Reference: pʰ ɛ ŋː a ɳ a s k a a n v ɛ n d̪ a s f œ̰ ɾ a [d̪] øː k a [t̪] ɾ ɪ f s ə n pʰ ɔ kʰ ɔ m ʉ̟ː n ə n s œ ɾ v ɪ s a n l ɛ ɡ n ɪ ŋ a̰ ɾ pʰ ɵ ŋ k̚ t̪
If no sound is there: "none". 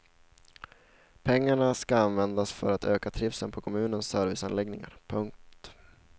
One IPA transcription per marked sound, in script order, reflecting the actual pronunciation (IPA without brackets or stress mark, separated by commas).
t̪, t̪ʰ